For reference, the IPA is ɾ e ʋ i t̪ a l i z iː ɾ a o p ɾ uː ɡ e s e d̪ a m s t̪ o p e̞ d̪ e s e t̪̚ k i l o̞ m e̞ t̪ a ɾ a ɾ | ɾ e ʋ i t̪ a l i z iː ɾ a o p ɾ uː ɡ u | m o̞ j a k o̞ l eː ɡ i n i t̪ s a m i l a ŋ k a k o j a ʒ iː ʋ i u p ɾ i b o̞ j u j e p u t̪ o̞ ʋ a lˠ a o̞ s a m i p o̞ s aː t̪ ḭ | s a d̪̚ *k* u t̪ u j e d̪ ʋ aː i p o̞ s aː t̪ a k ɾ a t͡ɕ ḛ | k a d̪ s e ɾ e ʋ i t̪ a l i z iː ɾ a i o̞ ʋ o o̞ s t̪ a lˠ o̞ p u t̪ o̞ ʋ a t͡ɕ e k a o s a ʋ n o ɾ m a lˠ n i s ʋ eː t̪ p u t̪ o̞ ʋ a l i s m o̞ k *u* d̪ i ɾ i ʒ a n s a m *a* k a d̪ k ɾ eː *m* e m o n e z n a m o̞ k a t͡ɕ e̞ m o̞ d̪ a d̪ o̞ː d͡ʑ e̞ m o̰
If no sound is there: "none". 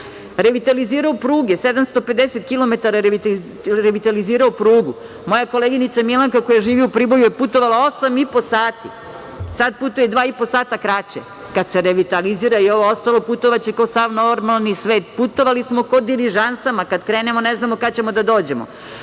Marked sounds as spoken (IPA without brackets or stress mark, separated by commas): p, o, a, n